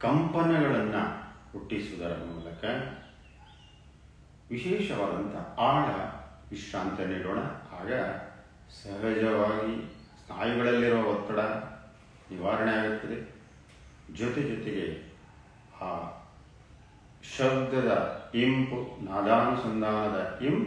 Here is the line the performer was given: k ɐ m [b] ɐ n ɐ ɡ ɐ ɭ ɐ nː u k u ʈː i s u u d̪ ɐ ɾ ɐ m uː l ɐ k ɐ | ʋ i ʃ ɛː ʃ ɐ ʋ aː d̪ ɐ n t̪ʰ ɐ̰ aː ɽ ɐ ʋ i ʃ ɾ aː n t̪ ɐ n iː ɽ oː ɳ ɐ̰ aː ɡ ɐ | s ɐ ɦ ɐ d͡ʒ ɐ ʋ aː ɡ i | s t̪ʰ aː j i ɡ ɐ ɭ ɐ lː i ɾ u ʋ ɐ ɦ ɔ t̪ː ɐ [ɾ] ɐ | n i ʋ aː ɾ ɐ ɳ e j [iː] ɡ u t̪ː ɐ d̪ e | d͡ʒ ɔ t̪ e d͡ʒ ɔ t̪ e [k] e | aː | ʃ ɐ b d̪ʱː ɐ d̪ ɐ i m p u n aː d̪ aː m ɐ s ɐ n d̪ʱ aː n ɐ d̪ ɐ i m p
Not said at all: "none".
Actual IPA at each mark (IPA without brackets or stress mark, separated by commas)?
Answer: p, ɽ, aː, ɡ